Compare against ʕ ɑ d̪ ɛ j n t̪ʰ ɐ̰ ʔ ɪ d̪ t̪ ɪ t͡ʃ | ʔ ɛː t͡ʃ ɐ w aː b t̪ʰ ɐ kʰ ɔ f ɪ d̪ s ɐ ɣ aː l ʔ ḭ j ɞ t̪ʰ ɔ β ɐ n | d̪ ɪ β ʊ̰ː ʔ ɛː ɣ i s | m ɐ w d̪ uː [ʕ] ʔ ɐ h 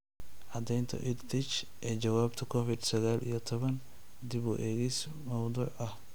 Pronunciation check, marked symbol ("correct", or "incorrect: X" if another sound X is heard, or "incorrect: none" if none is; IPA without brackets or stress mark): correct